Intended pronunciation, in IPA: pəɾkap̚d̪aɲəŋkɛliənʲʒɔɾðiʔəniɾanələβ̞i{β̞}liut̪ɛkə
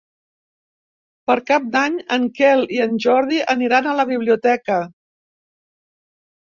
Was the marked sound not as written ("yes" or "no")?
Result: no